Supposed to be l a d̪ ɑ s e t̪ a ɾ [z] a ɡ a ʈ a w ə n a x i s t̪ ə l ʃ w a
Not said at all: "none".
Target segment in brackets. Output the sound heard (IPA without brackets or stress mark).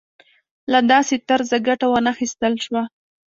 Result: z